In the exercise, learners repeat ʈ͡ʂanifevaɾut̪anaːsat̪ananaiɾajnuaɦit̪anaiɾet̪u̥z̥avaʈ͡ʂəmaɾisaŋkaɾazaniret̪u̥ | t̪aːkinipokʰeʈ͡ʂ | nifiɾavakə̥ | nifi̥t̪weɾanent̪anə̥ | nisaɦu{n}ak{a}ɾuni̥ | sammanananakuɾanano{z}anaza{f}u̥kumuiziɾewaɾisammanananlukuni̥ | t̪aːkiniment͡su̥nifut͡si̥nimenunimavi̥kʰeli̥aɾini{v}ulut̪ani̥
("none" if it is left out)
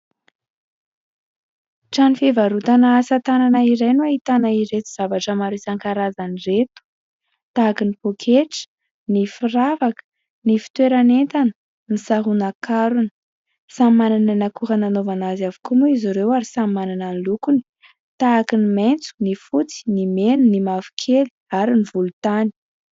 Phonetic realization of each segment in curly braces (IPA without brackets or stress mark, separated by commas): n, a, v, v, v